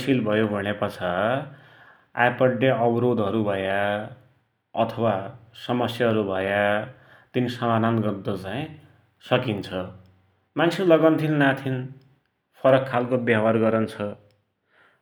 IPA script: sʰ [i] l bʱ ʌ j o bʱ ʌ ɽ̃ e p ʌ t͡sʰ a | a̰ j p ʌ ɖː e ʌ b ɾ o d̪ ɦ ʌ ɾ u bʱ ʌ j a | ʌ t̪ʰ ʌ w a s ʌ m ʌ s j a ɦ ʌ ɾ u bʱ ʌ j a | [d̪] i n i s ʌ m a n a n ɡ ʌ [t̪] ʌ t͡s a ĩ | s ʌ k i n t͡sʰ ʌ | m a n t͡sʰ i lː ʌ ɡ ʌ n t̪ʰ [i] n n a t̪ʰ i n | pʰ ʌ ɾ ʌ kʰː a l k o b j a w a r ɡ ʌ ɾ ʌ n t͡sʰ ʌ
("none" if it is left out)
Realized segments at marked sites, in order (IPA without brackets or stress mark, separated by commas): i, t̪, d̪, i